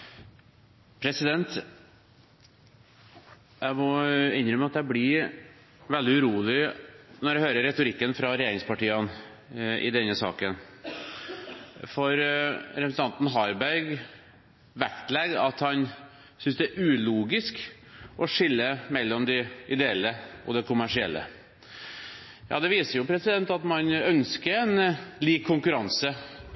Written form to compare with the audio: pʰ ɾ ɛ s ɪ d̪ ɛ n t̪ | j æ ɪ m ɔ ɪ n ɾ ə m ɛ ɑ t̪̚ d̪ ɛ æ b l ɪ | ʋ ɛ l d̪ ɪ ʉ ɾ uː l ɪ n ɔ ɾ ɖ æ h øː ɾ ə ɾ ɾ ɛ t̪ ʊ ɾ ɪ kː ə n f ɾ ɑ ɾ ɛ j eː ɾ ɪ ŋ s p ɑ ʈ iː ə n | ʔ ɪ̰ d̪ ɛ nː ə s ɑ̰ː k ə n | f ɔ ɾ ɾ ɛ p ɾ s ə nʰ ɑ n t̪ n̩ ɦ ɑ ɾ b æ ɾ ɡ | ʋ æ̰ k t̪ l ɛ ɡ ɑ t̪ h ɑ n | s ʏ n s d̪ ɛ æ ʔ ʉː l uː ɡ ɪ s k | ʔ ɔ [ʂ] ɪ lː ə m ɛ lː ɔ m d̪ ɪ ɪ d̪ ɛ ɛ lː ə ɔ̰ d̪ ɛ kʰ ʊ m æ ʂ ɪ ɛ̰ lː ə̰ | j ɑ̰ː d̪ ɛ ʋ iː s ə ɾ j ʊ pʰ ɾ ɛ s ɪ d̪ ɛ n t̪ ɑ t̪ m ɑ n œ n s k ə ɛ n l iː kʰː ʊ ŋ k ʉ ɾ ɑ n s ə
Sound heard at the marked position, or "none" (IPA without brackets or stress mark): ʂ